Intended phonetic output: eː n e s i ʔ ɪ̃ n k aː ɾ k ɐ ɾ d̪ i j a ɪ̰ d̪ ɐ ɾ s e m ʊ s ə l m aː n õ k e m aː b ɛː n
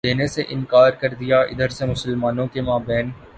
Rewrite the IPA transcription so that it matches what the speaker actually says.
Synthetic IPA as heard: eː n e s e ʔ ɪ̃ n k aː ɾ k ɐ ɾ d̪ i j a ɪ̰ d̪ ə ɾ s e m ʊ s ə l m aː n õ k e m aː b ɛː n